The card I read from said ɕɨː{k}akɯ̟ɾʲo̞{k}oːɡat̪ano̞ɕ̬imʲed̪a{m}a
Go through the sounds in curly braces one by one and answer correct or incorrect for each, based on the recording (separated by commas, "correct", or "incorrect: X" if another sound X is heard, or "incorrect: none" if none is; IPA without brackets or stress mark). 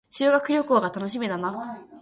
incorrect: ɡ, correct, incorrect: n